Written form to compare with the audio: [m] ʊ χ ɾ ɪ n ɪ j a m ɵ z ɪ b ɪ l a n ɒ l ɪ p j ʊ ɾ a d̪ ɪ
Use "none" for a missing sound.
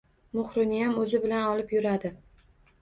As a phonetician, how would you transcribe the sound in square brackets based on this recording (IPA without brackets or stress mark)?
m